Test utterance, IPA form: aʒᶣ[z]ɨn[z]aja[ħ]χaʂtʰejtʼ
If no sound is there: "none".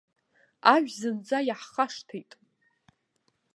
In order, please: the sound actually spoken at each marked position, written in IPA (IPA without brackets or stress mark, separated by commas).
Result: z, d͡z, ħ